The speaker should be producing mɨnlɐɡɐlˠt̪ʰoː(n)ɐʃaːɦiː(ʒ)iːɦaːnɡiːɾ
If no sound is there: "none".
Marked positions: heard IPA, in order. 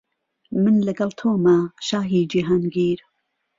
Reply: m, d͡ʒ

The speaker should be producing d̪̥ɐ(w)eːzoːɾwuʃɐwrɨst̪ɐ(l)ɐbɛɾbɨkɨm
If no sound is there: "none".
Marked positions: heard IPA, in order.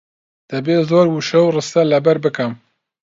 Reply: b, l

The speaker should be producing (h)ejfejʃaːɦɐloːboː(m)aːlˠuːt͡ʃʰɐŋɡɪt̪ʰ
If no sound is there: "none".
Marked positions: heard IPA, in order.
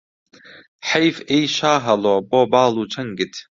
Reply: ħ, b

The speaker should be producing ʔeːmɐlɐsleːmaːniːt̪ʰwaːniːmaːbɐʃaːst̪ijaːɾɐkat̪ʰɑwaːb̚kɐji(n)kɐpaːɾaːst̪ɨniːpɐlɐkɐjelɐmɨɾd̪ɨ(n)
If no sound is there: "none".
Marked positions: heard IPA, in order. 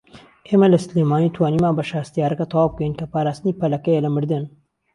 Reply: n, n

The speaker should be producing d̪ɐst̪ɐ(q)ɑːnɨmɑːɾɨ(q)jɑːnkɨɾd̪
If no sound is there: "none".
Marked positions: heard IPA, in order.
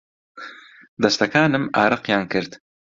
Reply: k, q

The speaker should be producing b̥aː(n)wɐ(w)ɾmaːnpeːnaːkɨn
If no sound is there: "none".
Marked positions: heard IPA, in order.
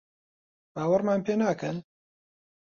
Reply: none, none

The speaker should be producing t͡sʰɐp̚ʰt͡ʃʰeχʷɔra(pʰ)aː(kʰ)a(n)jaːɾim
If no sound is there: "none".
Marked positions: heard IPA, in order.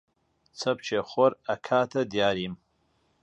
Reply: kʰ, tʰ, d

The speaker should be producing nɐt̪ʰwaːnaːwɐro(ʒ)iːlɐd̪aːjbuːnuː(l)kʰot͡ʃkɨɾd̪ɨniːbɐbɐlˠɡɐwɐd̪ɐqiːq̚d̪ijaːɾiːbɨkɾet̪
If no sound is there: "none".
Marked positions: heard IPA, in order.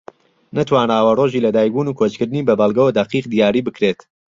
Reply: ʒ, none

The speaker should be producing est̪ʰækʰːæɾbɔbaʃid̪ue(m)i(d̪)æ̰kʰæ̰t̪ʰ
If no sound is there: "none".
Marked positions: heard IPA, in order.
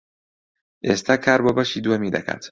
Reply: m, d̪

